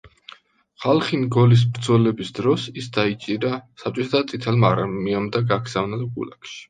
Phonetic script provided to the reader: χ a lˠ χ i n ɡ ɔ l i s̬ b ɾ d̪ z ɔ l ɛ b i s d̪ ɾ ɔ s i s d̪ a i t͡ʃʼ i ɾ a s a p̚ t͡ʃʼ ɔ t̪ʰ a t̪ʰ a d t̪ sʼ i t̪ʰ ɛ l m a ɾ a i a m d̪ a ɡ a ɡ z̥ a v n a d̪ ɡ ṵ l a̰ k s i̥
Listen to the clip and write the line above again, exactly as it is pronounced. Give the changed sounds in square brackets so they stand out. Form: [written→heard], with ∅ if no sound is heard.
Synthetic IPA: χ a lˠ χ i n ɡ ɔ l i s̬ b ɾ d̪ z ɔ l ɛ b i s d̪ ɾ ɔ s i s d̪ a i t͡ʃʼ i ɾ a s a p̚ t͡ʃʼ ɔ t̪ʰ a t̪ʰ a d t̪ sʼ i t̪ʰ ɛ l m a ɾ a i a m d̪ a ɡ a ɡ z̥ a v n a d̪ ɡ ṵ l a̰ k [s→ʃ] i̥